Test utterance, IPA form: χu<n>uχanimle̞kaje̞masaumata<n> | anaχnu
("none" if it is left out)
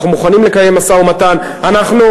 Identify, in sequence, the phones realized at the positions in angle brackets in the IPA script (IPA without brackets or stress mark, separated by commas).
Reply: m, n